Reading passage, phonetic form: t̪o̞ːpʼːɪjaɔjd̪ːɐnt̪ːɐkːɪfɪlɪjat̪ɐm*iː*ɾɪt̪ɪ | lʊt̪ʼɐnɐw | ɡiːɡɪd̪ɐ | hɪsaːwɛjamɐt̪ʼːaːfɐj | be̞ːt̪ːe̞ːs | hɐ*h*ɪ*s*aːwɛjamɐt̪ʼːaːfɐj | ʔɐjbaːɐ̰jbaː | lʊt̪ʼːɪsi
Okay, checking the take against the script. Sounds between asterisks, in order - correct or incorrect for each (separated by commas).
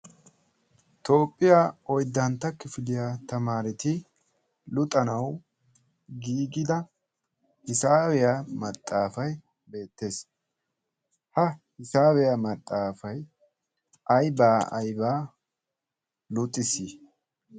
incorrect, correct, correct